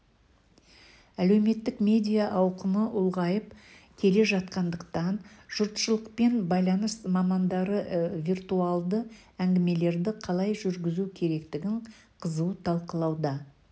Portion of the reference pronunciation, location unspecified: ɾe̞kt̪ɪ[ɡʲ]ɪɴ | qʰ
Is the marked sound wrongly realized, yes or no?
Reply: no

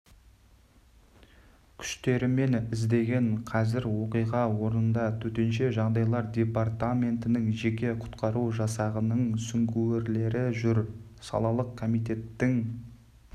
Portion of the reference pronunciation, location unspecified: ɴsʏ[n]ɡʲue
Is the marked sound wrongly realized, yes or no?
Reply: yes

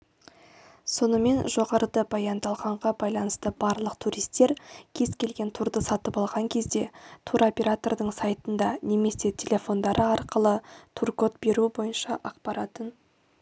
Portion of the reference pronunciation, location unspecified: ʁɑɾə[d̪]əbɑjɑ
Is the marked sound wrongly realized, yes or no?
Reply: no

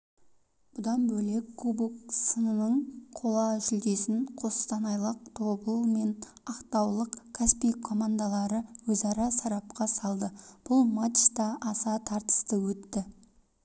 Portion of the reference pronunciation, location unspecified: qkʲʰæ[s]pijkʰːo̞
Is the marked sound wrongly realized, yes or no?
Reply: no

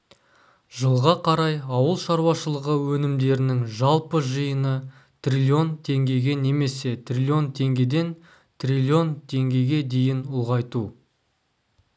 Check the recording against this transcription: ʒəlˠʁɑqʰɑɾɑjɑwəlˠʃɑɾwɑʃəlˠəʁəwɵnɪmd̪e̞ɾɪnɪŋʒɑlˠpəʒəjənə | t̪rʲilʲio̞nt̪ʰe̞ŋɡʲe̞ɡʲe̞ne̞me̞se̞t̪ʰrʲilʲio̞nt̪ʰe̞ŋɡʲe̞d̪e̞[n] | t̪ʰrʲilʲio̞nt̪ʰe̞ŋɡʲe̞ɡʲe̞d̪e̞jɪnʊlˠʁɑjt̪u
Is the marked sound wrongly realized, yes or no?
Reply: no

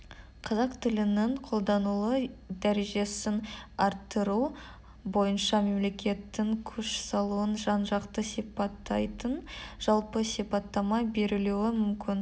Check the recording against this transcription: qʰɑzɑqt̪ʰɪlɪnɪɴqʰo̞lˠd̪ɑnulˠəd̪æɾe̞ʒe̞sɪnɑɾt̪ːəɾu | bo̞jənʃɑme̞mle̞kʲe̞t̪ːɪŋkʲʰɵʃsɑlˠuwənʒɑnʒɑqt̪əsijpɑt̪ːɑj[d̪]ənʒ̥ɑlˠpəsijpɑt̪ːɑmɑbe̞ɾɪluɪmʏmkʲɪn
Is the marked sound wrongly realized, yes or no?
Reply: yes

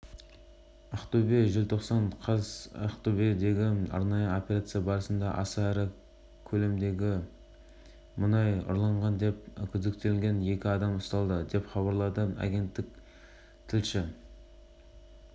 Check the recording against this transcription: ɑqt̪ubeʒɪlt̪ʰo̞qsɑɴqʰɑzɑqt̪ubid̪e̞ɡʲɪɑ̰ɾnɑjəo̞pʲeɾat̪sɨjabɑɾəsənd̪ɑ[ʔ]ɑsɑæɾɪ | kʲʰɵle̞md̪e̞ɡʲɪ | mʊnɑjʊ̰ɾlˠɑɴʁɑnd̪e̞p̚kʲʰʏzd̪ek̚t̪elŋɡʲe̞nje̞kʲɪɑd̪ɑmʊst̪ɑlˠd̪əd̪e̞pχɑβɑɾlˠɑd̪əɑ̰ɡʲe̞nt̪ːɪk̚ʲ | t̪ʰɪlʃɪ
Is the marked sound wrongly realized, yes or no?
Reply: no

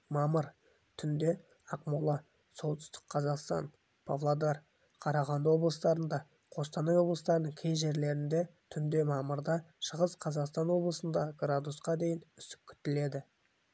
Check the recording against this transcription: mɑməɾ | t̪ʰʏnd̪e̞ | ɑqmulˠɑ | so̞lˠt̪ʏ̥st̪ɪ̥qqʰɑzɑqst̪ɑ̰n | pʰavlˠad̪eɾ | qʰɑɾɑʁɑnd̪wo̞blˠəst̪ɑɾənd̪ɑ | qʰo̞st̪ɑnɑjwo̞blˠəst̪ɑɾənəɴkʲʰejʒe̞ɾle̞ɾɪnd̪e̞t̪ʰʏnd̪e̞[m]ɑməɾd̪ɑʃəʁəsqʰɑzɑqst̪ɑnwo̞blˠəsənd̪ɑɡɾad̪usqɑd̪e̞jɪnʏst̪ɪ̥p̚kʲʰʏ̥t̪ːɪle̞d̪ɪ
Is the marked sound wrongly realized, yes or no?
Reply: no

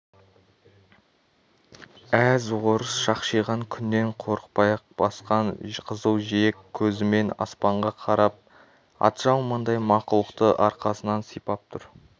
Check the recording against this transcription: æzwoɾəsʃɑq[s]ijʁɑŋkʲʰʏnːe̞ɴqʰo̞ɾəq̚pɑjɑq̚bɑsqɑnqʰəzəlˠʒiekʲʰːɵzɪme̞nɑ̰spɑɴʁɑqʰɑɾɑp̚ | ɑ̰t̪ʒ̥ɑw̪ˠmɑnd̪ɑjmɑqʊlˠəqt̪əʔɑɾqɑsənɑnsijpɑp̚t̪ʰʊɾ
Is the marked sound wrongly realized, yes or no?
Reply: yes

